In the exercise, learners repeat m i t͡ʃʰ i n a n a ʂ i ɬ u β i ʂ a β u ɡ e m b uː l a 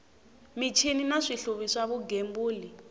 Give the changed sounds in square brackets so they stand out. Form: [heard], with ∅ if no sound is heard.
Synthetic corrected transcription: m i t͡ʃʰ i n [i] n a ʂ i ɬ u β i ʂ a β u ɡ e m b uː l [i]